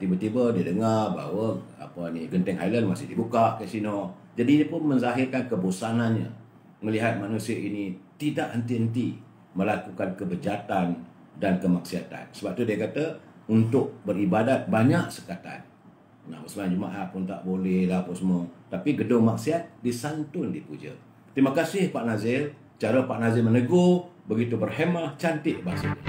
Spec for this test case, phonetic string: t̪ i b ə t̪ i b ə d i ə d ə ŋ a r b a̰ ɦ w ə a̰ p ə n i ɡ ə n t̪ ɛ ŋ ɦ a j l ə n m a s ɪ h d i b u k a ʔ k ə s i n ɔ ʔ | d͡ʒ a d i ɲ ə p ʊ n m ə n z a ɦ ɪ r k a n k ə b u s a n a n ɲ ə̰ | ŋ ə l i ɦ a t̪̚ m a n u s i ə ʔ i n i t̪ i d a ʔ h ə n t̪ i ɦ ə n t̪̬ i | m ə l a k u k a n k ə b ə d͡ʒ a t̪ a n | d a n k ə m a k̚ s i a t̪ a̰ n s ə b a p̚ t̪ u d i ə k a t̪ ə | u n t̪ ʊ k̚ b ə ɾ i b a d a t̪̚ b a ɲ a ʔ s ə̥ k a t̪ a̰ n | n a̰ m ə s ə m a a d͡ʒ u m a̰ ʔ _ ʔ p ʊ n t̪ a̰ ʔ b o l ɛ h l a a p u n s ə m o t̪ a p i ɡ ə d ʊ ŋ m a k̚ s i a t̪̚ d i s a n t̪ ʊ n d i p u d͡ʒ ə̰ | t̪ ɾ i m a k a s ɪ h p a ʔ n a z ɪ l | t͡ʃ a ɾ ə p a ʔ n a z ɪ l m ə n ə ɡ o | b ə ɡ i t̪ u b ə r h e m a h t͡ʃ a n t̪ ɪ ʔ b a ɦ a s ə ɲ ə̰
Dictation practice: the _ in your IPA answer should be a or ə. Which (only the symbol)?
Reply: a